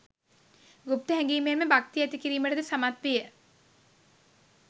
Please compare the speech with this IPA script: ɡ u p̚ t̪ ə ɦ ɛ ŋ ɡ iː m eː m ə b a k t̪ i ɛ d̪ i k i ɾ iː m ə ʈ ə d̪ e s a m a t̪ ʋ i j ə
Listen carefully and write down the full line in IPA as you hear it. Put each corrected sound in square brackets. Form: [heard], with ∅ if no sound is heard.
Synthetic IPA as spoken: ɡ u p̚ t̪ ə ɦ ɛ ŋ ɡ iː m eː m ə b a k t̪ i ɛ [t̪] i k i ɾ iː m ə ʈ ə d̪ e s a m a t̪ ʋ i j ə